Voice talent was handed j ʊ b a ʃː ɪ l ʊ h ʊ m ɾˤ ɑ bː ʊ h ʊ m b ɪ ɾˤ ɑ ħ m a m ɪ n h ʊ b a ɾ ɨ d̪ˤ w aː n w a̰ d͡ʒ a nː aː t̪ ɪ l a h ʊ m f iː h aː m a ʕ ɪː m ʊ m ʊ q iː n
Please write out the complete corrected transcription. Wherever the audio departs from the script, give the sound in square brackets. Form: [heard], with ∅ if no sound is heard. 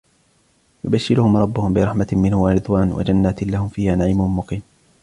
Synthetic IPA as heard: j ʊ b a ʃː ɪ l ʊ h ʊ m ɾˤ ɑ bː ʊ h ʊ m b ɪ ɾˤ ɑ ħ m a m ɪ n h ʊ [w] a ɾ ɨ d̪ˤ w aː n w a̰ d͡ʒ a nː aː t̪ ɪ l a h ʊ m f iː h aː [n] a ʕ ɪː m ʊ m ʊ q iː n